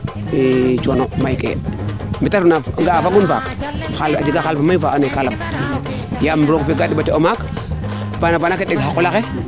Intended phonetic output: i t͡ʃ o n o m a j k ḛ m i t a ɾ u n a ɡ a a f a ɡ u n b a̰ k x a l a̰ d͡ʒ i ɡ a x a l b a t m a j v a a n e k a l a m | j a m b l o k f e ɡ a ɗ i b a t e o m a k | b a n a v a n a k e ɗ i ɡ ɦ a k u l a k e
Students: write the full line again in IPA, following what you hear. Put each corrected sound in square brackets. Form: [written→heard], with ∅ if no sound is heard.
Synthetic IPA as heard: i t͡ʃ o n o m a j k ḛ m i t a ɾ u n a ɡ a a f a ɡ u n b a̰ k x a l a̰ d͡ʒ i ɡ a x a l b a [t→∅] m a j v a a n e k a l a m | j a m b [l→ɾ] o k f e ɡ a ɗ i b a t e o m a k | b a n a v a n a k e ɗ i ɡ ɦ a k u l a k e